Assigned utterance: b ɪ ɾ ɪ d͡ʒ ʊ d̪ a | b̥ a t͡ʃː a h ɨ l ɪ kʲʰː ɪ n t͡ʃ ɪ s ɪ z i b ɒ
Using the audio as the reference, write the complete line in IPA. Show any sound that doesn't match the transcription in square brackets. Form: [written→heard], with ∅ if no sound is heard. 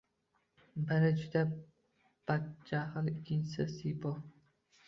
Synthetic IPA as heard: b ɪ ɾ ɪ d͡ʒ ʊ d̪ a | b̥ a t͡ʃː a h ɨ l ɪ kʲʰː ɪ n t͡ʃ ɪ s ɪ [z→s] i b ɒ